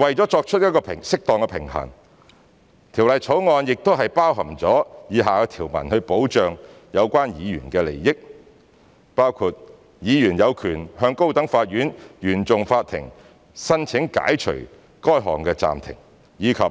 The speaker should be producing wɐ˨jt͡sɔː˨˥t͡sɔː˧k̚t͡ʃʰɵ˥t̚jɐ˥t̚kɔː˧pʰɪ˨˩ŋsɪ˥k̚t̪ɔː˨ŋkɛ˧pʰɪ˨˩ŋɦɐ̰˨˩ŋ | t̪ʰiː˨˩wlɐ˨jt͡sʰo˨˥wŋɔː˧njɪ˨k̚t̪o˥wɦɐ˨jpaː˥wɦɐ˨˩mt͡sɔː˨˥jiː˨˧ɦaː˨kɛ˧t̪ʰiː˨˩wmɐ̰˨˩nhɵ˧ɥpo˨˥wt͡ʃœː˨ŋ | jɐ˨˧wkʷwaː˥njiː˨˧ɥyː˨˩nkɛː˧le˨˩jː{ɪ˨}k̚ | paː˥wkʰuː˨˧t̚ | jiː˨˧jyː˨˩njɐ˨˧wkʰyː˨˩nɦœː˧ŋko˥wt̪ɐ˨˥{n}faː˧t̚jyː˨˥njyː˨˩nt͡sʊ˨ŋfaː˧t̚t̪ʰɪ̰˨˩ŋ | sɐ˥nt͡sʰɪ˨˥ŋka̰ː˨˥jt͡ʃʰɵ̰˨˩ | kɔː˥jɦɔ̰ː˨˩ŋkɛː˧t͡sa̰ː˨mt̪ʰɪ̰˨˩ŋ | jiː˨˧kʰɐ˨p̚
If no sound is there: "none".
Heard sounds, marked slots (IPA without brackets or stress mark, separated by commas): ɪ˥, ŋ